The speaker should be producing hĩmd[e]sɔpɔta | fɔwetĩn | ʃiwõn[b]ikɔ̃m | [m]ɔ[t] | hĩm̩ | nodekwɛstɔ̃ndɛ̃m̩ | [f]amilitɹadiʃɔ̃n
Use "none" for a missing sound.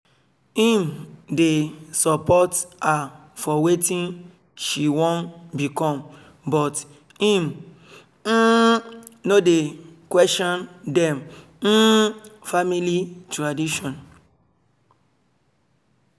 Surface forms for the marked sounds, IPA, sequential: e, b, b, t, f

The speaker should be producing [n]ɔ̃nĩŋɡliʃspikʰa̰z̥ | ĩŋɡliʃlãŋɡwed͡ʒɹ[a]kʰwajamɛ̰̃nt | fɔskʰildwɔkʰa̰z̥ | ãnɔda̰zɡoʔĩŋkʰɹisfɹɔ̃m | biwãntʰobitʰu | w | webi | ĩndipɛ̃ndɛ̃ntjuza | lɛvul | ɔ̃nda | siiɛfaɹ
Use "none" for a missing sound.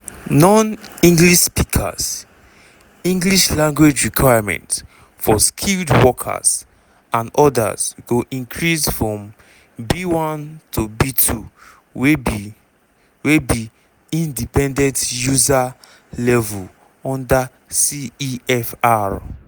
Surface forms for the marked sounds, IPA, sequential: n, i

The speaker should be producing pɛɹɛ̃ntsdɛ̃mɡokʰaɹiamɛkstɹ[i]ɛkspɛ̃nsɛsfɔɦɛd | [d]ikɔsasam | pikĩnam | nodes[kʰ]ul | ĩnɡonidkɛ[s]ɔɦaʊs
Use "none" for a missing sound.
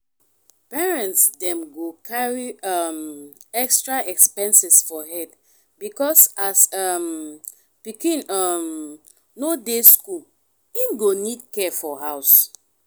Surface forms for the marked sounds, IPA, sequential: a, b, k, f

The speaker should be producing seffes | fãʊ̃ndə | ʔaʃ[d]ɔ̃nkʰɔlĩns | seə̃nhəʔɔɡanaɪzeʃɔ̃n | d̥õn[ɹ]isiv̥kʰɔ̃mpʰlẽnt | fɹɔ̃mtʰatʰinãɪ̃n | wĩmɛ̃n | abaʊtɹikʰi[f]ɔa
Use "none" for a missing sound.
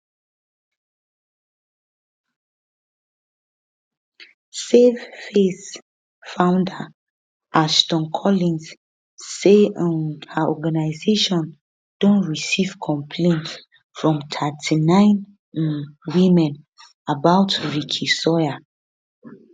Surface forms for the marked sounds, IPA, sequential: t, ɹ, s

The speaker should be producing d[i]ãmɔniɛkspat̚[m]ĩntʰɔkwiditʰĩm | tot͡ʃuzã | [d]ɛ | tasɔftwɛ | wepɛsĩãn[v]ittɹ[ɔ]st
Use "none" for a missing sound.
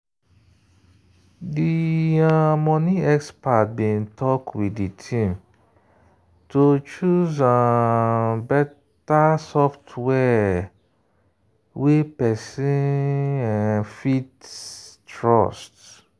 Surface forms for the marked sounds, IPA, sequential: i, b, b, f, ɔ

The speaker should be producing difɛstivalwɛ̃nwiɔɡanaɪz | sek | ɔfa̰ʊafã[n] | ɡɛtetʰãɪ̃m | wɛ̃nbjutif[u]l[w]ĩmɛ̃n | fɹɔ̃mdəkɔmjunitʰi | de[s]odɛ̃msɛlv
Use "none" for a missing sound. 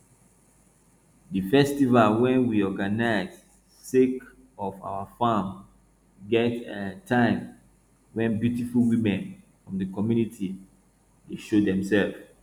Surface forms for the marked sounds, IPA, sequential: m, u, w, ʃ

